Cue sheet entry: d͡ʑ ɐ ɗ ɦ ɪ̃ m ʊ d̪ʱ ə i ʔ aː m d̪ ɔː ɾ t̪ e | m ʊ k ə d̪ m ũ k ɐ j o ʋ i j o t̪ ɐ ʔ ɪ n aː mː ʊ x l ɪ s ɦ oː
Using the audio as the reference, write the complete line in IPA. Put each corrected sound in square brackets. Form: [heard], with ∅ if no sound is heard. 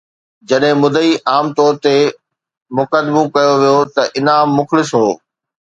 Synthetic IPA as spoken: d͡ʑ ɐ ɗ ɦ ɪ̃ m ʊ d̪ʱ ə i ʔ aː m [t̪] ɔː ɾ t̪ e | m ʊ k ə d̪ m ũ k ɐ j o ʋ i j o t̪ ɐ ʔ ɪ n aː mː ʊ x l ɪ s ɦ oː